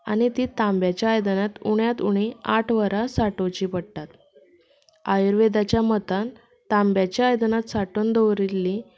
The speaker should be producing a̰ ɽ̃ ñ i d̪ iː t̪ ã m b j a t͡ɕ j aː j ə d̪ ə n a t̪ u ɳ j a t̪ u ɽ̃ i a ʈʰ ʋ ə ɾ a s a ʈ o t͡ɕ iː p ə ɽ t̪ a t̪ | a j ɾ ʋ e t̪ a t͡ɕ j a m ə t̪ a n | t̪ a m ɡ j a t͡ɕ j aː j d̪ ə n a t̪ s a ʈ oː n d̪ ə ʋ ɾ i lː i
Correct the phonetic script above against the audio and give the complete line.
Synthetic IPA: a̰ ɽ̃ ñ i t̪ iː t̪ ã m b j a t͡ɕ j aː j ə d̪ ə n a t̪ u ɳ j a t̪ u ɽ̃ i a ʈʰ ʋ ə ɾ a s a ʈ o t͡ɕ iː p ə ɽ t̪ a t̪ | a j ɾ ʋ e d̪ a t͡ɕ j a m ə t̪ a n | t̪ a m b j a t͡ɕ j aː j d̪ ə n a t̪ s a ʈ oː n d̪ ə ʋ ɾ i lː i